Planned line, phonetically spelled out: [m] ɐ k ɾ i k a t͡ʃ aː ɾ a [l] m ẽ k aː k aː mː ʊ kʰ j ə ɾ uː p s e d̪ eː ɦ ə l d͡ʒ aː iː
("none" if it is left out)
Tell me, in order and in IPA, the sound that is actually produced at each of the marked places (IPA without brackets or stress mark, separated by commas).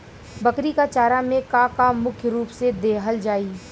b, none